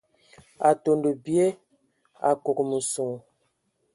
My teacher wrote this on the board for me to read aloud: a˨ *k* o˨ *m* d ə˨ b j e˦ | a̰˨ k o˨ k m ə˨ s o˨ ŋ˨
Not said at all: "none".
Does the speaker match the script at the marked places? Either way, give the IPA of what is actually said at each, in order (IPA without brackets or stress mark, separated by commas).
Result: t, n